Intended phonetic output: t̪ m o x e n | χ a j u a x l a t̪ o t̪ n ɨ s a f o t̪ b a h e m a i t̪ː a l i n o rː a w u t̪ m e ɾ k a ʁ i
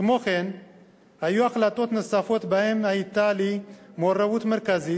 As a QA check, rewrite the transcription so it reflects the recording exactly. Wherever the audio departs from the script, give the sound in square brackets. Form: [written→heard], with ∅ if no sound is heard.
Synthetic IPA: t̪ m o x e n | [χ→h] a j u a x l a t̪ o t̪ n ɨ s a f o t̪ b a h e m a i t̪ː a l i [n→m] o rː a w u t̪ m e ɾ k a [ʁ→z] i